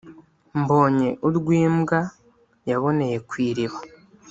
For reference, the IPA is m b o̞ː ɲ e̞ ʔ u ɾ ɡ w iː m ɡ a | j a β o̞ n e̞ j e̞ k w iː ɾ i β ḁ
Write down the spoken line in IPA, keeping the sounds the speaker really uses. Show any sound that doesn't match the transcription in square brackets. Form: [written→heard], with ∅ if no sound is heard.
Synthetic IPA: m b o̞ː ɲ e̞ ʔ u ɾ ɡ w iː m ɡ a | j a β o̞ n e̞ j e̞ k w iː ɾ i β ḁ